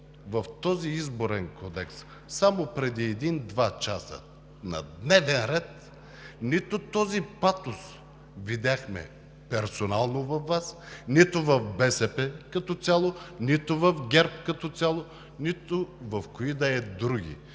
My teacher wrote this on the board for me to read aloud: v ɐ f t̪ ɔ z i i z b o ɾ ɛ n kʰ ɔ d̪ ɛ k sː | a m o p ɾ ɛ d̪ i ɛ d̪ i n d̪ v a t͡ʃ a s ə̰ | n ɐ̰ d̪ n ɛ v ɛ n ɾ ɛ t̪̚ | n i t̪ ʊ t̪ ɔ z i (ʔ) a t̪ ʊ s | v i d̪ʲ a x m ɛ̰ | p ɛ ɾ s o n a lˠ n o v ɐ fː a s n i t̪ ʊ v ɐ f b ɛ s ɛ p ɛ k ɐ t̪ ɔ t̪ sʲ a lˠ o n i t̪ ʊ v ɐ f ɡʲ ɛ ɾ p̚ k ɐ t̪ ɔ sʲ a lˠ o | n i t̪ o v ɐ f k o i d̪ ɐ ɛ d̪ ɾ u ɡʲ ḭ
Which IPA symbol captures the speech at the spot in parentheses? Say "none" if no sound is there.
p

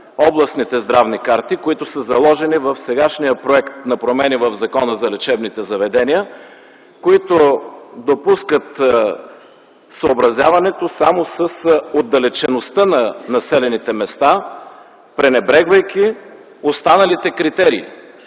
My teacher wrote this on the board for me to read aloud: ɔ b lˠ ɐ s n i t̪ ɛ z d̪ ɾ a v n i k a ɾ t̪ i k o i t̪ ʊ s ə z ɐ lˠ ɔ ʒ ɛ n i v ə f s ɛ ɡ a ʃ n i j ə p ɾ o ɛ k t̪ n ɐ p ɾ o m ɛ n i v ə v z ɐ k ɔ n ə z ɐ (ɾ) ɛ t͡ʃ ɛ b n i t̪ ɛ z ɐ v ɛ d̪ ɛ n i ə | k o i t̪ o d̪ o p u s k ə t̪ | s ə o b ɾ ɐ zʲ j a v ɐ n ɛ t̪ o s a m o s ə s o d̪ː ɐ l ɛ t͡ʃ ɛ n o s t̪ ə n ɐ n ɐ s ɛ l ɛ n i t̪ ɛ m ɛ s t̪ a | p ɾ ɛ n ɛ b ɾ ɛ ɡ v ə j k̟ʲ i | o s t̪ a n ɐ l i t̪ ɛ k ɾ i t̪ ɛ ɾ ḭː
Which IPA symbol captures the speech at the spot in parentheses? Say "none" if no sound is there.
l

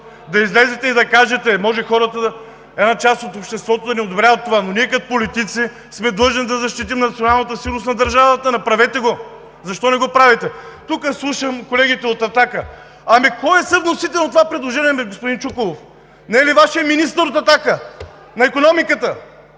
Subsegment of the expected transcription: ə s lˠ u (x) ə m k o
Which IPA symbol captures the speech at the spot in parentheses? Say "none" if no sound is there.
ʃ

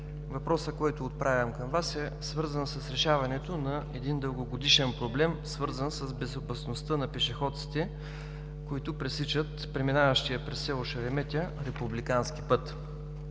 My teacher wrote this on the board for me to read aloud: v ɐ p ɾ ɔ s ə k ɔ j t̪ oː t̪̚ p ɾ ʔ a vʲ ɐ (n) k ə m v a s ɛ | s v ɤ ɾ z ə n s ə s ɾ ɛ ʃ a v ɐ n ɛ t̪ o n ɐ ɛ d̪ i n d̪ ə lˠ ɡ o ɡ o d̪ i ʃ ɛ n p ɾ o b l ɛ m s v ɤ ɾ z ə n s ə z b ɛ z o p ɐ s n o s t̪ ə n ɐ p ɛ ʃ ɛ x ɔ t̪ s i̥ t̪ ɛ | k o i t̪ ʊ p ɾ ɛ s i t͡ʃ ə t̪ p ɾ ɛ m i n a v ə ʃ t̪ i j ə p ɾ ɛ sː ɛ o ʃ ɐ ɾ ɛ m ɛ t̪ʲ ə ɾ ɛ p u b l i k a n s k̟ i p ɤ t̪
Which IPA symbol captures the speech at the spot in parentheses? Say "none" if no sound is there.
m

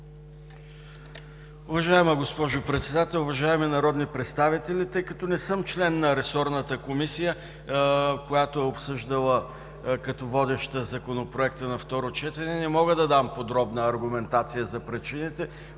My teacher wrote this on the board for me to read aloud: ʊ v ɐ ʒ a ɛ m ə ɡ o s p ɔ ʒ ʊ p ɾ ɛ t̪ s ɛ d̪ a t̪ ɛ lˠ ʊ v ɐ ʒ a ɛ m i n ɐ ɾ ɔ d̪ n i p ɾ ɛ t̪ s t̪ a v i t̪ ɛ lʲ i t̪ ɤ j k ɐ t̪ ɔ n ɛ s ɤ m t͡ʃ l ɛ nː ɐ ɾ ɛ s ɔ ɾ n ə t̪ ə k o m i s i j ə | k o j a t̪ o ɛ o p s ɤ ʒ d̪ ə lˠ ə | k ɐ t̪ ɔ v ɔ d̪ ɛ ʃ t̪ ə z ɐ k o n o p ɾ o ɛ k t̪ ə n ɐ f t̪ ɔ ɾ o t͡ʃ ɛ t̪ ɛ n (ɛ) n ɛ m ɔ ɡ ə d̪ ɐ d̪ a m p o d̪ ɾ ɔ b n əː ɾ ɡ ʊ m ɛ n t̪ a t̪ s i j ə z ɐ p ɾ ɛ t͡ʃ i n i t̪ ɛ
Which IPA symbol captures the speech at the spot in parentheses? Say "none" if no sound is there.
ɛ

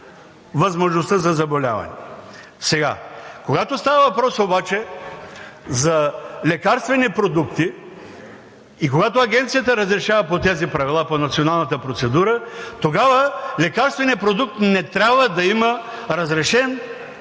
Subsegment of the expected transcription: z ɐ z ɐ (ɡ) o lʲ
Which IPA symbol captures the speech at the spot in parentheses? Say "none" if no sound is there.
b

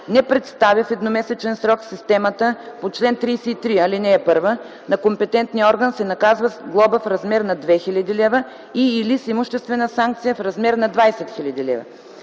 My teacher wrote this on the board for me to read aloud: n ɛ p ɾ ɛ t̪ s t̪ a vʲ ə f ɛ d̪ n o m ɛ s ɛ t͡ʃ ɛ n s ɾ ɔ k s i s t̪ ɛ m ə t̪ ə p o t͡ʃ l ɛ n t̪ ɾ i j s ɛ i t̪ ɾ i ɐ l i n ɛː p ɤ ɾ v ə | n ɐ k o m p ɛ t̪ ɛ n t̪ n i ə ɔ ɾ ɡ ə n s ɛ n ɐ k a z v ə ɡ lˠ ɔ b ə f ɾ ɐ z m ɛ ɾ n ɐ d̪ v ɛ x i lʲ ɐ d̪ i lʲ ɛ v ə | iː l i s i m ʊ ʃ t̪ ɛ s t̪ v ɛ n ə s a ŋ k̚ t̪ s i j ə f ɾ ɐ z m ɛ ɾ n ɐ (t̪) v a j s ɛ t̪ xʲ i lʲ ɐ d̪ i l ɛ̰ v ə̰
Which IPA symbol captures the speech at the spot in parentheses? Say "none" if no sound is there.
d̪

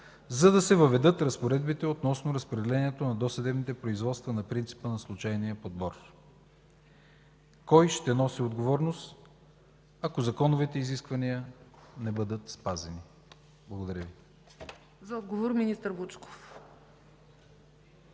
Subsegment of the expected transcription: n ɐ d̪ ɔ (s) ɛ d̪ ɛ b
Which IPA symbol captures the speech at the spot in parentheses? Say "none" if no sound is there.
s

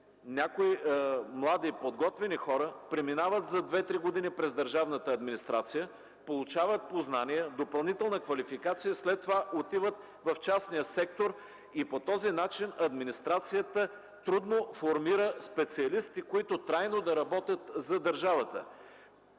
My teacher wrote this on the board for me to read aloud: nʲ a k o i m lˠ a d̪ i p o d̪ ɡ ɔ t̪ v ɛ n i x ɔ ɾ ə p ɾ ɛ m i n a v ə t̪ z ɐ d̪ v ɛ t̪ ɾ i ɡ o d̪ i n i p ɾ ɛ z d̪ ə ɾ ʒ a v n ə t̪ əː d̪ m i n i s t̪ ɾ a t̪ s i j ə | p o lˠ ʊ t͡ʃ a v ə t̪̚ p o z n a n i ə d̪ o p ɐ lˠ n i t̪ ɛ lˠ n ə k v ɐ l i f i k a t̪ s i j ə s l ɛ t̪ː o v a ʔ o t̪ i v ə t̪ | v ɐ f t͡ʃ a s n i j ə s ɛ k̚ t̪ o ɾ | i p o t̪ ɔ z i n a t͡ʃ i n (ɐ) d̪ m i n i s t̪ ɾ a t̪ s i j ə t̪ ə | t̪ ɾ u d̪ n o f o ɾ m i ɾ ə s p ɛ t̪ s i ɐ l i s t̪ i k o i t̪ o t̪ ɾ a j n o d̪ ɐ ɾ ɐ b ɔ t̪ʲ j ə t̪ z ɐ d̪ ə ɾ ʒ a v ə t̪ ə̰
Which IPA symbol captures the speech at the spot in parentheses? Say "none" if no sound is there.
ɐ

